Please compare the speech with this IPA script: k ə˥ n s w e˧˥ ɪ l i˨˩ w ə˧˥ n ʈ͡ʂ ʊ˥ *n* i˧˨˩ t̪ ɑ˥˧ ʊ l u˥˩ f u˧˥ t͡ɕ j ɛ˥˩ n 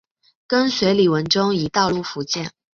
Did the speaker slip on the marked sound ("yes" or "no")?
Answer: yes